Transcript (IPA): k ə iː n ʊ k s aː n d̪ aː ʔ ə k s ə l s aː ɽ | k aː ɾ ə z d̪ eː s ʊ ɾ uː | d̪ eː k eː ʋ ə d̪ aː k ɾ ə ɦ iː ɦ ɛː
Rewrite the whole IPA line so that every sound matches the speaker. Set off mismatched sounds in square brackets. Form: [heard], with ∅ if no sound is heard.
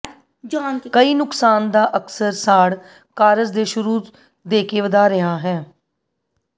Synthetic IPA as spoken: k ə iː n ʊ k s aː n d̪ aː ʔ ə k s ə [ɾ] s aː ɽ | k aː ɾ ə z d̪ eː [ʃ] ʊ ɾ uː | d̪ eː k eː ʋ ə d̪ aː [∅] ɾ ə ɦ [aː] ɦ ɛː